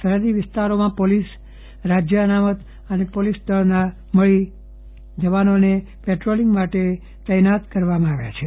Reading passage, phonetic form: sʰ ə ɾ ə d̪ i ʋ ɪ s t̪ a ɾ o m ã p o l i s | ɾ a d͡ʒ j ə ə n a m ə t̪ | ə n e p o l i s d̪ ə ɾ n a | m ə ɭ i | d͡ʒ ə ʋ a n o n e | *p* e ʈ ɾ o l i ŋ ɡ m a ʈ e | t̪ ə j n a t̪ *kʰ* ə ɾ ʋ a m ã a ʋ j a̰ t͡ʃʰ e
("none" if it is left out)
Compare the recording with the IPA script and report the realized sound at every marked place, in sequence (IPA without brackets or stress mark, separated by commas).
p, k